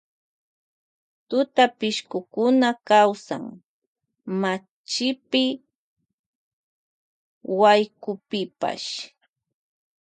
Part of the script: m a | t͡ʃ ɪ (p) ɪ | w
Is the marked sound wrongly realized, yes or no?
no